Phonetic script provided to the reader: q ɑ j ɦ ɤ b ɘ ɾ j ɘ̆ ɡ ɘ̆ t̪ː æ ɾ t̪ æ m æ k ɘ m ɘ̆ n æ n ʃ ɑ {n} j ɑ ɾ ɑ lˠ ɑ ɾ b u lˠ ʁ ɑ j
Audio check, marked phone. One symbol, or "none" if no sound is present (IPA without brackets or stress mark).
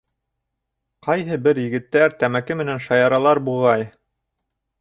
none